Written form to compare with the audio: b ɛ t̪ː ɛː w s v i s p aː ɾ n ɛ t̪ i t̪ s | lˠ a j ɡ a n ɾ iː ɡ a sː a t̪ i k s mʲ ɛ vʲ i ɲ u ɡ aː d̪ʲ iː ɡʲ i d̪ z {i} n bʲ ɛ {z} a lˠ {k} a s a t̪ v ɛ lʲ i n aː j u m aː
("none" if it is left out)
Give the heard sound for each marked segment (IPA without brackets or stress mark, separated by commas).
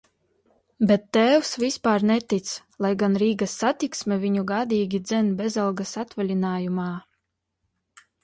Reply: ɛ, z, ɡ